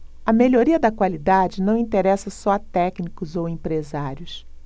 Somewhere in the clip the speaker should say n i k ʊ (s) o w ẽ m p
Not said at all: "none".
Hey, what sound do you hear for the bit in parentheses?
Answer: z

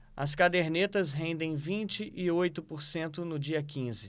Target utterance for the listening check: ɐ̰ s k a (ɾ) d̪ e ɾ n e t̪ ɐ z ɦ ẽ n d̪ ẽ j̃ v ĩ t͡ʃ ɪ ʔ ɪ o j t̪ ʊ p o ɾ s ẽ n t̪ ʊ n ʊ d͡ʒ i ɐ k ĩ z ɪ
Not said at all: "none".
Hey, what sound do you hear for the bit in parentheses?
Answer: none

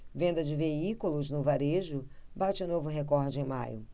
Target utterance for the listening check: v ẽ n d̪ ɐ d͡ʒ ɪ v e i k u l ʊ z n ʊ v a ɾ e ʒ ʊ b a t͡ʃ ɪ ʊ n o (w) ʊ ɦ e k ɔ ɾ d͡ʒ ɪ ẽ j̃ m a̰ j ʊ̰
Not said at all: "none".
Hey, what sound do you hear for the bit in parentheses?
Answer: v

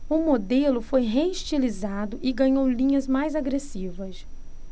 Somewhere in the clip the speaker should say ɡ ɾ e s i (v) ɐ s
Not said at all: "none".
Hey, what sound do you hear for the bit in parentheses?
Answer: v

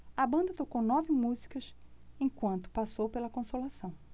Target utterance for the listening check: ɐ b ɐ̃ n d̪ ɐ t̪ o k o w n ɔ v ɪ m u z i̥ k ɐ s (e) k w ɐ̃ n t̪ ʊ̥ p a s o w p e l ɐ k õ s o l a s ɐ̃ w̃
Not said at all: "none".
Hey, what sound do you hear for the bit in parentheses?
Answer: ẽ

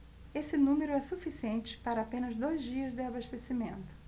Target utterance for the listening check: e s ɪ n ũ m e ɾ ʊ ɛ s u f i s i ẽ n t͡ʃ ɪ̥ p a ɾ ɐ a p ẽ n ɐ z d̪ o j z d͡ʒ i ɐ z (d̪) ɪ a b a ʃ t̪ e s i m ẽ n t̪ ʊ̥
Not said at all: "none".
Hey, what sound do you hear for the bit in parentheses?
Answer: d̪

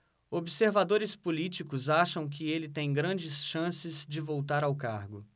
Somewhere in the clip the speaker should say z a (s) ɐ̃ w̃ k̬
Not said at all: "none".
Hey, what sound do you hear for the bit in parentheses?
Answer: ʃ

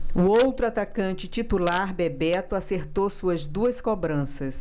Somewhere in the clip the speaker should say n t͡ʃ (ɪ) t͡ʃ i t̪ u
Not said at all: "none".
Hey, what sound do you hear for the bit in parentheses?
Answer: ɪ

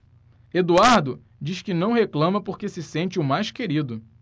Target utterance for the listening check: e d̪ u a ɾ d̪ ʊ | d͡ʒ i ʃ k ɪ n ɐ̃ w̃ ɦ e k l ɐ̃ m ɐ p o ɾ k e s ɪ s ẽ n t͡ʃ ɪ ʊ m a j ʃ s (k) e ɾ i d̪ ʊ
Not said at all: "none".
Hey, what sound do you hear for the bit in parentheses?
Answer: k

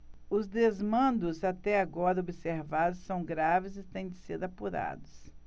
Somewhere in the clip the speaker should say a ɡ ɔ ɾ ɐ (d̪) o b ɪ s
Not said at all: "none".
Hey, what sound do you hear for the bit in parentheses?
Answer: none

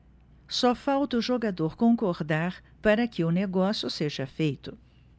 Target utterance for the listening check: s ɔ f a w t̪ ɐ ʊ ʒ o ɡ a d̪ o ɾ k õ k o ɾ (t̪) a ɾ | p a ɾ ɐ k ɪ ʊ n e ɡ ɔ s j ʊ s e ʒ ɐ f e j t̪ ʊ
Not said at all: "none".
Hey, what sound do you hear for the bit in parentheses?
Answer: d̪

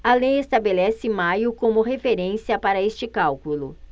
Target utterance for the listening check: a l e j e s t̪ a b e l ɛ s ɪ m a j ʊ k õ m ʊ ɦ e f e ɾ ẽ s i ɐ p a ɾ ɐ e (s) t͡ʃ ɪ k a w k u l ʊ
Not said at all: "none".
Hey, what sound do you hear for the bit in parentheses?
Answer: s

